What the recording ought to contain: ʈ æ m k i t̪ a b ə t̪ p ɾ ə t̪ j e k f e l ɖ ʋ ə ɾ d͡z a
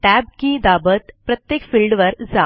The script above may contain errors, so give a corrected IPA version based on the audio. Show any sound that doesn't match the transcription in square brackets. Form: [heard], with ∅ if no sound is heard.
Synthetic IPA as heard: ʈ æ [b] k i [d̪] a b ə t̪ p ɾ ə t̪ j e k f [i] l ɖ ʋ ə ɾ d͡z a